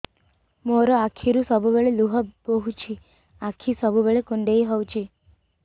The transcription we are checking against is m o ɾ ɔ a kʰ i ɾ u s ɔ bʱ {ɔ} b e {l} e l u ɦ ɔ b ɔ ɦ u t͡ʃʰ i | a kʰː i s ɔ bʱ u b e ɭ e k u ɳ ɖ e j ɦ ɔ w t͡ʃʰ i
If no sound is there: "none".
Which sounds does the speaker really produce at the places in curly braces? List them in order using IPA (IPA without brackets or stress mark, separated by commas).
u, ɭ